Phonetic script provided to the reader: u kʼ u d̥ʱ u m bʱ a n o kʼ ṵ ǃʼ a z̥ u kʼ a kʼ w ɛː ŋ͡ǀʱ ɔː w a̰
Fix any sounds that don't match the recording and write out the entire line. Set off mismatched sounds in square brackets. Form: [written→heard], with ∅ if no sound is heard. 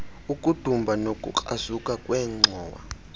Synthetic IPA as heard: u kʼ u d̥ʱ u m bʱ a n o kʼ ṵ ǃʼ a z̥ u kʼ a kʼ w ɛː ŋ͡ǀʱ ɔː w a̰